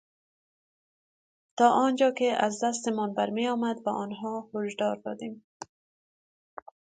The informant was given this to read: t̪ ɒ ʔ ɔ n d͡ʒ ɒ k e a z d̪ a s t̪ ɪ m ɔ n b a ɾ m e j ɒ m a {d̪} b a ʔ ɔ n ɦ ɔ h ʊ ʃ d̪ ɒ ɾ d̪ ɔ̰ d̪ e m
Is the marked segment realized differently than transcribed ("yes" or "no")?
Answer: no